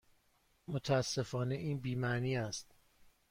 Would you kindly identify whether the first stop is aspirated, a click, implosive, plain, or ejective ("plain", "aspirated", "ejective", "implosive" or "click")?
aspirated